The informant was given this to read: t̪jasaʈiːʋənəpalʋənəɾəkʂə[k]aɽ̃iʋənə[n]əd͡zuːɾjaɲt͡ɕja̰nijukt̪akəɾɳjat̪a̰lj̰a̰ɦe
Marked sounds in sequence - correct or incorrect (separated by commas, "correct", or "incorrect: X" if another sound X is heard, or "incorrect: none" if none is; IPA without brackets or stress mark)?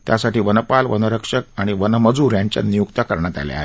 correct, incorrect: m